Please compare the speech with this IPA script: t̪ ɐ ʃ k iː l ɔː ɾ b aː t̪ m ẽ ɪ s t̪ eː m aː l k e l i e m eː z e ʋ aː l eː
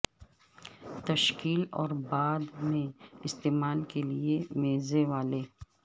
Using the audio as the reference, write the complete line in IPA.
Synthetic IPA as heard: t̪ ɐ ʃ k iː l ɔː ɾ b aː d̪ m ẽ ɪ s t̪ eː m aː l k e l i e m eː z e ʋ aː l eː